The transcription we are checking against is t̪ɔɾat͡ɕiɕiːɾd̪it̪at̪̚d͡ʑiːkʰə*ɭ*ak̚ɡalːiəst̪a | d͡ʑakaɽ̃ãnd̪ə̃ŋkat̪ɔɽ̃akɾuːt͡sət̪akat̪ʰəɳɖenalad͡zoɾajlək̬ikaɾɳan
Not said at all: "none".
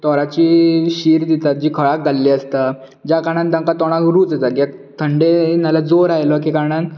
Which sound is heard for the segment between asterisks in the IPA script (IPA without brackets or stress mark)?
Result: ɭ